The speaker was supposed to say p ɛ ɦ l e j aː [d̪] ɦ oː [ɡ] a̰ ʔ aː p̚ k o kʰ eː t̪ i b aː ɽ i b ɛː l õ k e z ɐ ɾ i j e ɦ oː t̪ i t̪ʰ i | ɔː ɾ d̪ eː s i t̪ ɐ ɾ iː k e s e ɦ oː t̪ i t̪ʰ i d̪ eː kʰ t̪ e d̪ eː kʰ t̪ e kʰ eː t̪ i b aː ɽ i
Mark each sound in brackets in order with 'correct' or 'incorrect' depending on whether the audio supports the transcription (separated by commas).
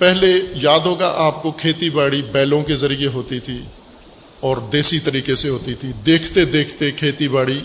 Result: correct, correct